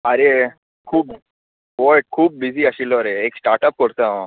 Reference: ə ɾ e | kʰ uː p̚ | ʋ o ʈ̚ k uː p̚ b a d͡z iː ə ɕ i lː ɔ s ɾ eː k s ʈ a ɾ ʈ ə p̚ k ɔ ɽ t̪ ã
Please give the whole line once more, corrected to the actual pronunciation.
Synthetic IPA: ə ɾ e | kʰ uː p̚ | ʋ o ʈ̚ kʰ uː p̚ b i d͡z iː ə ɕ i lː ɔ ɾ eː k s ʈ a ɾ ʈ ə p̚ k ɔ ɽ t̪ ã